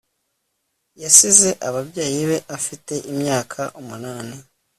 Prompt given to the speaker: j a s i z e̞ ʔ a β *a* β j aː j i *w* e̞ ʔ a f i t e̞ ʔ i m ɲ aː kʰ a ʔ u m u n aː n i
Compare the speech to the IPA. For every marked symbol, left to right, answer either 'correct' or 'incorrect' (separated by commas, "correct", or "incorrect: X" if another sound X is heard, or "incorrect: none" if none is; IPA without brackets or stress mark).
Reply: correct, incorrect: β